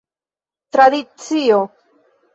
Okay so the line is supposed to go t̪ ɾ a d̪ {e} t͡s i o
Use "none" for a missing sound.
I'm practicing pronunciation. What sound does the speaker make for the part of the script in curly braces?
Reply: i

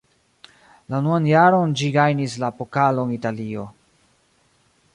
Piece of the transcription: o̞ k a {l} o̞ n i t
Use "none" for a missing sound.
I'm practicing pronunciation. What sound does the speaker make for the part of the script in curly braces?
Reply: l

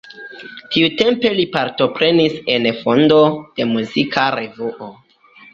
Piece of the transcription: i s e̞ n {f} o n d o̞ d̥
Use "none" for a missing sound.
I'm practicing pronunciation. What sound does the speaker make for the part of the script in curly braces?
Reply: f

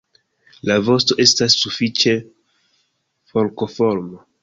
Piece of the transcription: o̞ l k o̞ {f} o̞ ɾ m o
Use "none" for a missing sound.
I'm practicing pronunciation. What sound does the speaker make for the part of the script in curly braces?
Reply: f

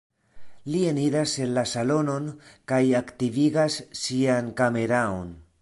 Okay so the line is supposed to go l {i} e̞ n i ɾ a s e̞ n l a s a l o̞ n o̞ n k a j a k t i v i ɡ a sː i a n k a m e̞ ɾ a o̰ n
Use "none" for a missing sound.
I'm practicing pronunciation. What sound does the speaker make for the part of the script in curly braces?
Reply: i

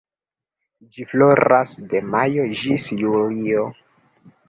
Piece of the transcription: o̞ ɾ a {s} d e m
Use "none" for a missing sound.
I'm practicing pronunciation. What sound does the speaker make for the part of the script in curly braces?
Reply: s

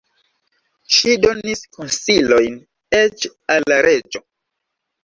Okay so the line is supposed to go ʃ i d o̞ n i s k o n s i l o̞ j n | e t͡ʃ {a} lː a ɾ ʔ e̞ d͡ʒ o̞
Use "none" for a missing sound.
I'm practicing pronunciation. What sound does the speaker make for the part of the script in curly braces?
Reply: a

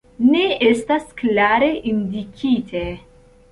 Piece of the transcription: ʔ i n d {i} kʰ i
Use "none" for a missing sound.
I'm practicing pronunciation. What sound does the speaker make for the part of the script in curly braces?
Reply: i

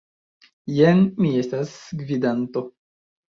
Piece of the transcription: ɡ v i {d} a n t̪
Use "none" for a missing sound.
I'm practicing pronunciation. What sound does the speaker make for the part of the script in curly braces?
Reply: d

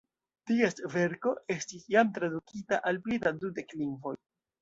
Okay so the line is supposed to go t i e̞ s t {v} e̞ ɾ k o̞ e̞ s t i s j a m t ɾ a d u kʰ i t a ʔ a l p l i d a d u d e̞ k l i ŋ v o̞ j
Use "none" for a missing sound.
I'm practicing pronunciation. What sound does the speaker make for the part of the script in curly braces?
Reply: v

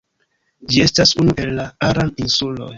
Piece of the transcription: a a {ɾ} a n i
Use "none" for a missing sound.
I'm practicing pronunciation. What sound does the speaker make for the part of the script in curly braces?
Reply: ɾ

